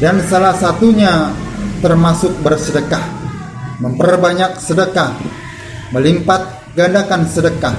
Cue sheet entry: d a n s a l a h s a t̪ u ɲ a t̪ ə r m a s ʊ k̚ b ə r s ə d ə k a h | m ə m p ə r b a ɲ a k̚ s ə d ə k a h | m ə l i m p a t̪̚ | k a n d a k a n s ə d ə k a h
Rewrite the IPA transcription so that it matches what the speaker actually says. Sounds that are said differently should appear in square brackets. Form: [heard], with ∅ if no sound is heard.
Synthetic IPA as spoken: d a n s a l a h s a t̪ u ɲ a t̪ ə r m a s ʊ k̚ b ə r s ə d ə k a h | m ə m p ə r b a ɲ a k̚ s ə d ə k a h | m ə l i m p a t̪̚ | [ɡ] a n d a k a n s ə d ə k a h